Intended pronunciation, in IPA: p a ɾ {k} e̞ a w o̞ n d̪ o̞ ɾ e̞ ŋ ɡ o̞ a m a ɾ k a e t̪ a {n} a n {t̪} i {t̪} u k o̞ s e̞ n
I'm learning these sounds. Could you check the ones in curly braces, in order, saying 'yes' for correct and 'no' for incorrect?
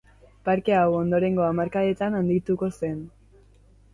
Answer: yes, yes, no, yes

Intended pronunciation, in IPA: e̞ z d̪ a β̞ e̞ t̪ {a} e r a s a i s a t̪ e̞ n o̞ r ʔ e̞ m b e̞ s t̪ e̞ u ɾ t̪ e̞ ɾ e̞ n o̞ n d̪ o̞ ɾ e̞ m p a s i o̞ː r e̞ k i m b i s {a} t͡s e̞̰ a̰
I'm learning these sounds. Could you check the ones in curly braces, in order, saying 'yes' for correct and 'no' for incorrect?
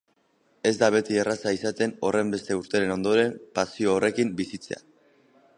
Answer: no, no

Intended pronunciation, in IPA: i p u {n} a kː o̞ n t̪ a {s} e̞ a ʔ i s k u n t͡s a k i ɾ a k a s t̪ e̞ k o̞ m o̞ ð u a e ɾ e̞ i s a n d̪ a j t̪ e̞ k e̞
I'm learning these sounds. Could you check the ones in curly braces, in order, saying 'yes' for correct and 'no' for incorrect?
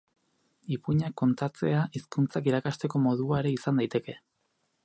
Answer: no, no

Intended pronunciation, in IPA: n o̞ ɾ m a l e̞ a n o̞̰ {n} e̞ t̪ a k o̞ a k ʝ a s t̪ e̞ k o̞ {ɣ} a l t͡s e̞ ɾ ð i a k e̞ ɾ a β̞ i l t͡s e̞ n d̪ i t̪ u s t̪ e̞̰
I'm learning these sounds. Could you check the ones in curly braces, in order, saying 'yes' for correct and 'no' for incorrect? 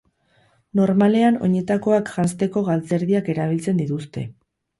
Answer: no, yes

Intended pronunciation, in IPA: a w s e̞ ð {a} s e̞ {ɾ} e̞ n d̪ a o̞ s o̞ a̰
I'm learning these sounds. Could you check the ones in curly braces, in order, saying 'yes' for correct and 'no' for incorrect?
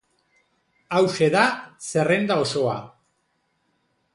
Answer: yes, no

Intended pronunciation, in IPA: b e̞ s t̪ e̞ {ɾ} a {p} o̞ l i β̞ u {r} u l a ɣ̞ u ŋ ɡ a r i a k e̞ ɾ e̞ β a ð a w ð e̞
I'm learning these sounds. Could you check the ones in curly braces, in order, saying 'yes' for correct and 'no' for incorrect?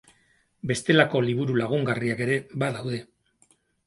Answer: no, no, no

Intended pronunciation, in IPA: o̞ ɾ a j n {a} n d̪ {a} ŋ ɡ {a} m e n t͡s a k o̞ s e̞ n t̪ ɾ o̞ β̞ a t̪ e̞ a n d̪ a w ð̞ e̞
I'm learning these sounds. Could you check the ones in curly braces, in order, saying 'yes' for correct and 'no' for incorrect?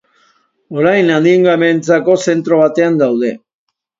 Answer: yes, no, yes

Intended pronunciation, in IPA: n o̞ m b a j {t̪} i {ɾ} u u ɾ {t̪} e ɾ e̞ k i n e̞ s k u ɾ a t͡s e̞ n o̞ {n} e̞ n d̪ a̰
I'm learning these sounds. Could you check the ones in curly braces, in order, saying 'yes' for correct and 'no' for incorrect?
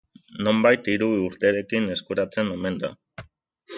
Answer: yes, yes, yes, no

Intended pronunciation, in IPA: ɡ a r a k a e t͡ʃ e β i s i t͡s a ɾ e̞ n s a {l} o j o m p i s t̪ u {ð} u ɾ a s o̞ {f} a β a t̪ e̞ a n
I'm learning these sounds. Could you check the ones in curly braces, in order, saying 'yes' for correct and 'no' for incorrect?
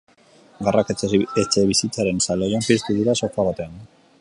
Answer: yes, yes, yes

